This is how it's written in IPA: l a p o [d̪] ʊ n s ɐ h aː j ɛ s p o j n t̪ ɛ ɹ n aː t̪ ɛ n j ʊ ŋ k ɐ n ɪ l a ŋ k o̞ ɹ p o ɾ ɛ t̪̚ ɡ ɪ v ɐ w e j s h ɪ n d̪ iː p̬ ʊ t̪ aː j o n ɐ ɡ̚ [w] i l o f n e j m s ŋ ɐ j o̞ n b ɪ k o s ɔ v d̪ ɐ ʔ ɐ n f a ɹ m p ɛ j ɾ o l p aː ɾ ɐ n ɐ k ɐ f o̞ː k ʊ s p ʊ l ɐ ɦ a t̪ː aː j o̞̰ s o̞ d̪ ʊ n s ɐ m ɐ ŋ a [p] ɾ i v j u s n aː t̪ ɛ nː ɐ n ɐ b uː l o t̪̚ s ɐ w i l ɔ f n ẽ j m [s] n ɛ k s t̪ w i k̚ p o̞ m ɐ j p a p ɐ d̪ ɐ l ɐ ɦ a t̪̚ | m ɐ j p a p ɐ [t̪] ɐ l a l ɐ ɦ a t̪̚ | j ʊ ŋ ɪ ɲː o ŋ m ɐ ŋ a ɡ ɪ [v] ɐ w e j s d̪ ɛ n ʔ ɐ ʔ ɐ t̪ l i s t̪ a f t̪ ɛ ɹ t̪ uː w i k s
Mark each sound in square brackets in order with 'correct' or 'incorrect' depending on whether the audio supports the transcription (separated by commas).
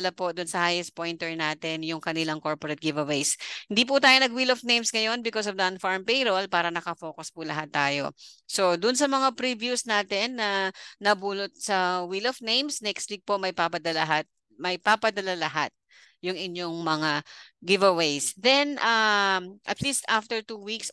correct, correct, correct, correct, incorrect, correct